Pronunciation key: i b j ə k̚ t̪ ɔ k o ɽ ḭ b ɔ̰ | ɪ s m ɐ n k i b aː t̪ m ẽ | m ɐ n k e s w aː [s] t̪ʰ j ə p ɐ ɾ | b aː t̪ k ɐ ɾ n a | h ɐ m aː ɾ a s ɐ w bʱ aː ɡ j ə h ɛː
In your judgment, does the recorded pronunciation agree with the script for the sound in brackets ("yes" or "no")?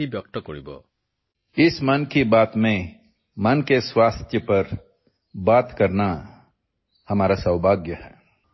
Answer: yes